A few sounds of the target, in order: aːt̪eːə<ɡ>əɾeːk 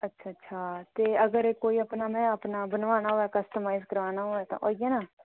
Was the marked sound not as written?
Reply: no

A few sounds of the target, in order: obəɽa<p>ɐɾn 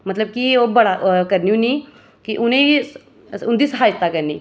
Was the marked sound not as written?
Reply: yes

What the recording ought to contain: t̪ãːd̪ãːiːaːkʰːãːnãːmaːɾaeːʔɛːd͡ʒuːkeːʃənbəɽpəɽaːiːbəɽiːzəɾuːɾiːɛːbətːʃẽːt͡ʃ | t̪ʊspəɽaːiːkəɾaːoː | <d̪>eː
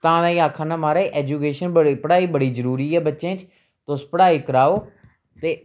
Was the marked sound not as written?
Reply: yes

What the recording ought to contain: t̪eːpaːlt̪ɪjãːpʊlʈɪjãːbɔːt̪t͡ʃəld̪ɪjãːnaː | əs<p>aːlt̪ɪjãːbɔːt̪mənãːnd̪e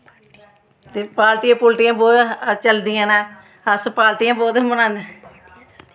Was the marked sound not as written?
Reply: no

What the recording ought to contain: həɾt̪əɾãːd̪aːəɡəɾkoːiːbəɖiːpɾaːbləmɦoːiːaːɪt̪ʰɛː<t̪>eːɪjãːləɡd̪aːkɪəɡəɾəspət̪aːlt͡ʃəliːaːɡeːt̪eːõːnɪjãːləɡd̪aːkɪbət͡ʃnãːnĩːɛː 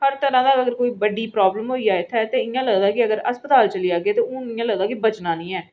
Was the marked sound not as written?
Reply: no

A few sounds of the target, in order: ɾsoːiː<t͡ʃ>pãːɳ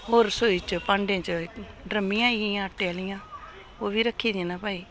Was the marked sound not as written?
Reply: no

